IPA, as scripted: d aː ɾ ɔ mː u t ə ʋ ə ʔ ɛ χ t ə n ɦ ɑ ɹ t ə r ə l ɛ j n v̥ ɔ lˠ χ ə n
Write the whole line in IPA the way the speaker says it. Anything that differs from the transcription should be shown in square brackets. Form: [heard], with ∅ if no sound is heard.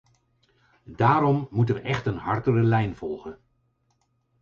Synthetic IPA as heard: d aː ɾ ɔ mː u t ə ʋ ə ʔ ɛ χ t ə n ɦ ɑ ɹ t ə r ə l ɛ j n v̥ ɔ lˠ χ ə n

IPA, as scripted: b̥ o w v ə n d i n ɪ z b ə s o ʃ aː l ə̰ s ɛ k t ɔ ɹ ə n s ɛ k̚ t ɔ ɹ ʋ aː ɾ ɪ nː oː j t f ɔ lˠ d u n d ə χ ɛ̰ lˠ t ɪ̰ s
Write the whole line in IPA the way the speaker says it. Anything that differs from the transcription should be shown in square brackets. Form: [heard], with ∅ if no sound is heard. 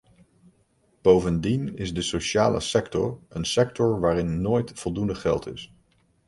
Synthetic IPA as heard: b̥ o w v ə n d i n ɪ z [d] ə s o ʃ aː l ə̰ s ɛ k t ɔ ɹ ə n s ɛ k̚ t ɔ ɹ ʋ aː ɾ ɪ nː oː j t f ɔ lˠ d u n d ə χ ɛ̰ lˠ t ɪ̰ s

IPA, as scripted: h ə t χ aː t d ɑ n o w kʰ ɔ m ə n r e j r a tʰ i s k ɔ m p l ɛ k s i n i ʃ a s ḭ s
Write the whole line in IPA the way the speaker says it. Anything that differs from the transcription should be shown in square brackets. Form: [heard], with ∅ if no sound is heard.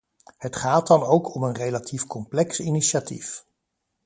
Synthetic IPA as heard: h ə t χ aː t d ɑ n o w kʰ ɔ m ə n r e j [l] a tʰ i [f] k ɔ m p l ɛ k s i n i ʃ a [t] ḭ [f]

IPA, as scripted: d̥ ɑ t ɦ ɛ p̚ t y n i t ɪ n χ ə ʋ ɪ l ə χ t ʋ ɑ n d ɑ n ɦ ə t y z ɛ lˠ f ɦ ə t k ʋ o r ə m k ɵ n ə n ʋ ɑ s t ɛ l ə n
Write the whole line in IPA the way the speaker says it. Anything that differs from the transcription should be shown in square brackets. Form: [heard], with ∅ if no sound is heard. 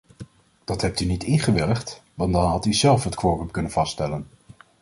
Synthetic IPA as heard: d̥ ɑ t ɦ ɛ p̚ t y n i t ɪ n χ ə ʋ ɪ l ə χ t ʋ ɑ n d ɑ n ɦ [ɑ] t y z ɛ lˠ f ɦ ə t k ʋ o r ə m k ɵ n ə n [v] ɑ s t ɛ l ə n

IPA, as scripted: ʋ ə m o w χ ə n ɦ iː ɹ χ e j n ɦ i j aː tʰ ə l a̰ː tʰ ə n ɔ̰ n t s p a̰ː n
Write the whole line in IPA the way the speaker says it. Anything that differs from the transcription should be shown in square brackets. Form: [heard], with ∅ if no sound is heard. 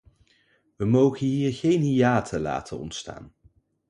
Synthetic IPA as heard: ʋ ə m o w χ ə n ɦ iː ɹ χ e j n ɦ i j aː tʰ ə l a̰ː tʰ ə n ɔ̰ n t s [t] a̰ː n

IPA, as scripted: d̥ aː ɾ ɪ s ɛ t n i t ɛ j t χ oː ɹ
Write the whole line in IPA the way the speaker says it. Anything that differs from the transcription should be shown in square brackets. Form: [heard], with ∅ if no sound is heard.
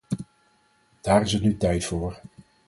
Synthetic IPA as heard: d̥ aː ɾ ɪ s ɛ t n [y] t ɛ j t [f] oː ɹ

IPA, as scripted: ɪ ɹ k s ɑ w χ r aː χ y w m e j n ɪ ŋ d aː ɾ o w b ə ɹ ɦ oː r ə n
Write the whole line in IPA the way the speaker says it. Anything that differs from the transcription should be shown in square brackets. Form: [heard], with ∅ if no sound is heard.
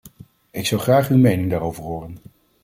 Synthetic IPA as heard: ɪ [∅] k s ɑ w χ r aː χ y w m e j n ɪ ŋ d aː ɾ o w [v] ə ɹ ɦ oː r ə n

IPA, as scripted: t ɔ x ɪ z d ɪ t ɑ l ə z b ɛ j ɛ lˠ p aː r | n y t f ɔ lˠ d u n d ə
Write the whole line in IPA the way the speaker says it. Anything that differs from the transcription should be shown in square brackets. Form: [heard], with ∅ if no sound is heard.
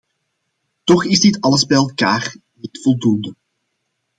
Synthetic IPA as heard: t ɔ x ɪ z d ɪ t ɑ l ə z b ɛ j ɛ lˠ [k] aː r | n [i] t f ɔ lˠ d u n d ə

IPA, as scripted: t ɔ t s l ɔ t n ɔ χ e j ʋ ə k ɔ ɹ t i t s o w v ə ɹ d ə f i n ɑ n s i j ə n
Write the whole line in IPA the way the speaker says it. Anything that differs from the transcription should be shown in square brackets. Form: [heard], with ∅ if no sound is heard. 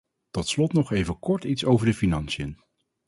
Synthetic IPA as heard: t ɔ t s l ɔ t n ɔ χ e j [v] ə k ɔ ɹ t i t s o w v ə ɹ d ə f i n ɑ n s i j ə n

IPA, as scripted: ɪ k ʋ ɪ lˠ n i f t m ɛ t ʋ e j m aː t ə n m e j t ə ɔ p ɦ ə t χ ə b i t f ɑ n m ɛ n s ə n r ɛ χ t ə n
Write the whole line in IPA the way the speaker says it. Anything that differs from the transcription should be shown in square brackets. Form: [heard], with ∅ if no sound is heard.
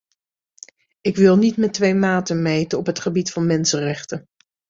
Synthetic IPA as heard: ɪ k ʋ ɪ lˠ n i [∅] t m ɛ t ʋ e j m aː t ə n m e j t ə ɔ p ɦ ə t χ ə b i t f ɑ n m ɛ n s ə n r ɛ χ t ə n

